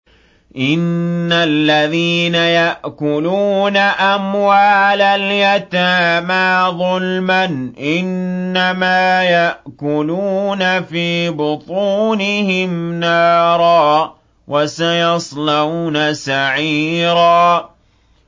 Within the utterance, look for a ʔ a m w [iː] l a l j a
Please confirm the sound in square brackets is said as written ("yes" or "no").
no